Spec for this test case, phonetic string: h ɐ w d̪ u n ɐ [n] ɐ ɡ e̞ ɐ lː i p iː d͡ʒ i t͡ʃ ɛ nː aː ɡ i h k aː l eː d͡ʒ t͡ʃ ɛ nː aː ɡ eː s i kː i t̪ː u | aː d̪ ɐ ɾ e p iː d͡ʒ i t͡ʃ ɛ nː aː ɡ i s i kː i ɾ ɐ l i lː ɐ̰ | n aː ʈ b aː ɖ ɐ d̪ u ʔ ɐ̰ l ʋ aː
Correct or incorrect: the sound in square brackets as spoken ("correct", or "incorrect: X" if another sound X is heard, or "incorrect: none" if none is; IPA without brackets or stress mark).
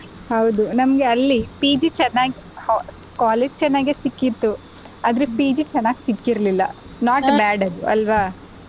incorrect: m